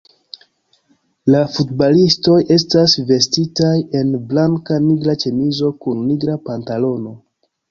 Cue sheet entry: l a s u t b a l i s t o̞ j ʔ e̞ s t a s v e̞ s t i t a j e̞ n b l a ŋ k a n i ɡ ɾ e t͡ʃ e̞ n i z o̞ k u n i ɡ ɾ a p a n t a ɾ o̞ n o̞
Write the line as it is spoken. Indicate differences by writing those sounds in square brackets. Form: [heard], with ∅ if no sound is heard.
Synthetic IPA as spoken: l a [f] u t b a l i s t o̞ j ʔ e̞ s t a s v e̞ s t i t a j e̞ n b l a ŋ k a n i ɡ ɾ [a] t͡ʃ e̞ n i z o̞ k u [nː] i ɡ ɾ a p a n t a [l] o̞ n o̞